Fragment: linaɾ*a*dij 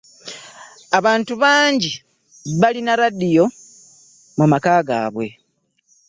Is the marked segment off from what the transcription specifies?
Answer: no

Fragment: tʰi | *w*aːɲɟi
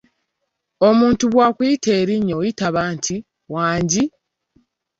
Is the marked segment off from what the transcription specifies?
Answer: no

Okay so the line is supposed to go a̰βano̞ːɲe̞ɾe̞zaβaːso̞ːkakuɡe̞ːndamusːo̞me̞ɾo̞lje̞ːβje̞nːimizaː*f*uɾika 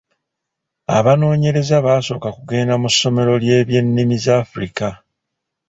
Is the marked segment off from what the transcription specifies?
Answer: no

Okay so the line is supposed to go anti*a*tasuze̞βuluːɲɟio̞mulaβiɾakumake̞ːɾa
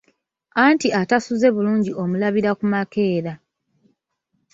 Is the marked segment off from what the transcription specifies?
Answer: no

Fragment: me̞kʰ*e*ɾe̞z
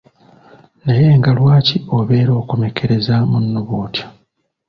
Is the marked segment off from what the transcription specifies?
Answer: no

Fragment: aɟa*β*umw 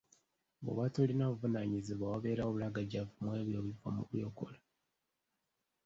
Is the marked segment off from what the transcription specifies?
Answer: yes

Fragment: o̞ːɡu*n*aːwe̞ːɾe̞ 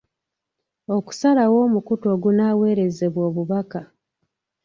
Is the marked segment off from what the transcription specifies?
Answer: no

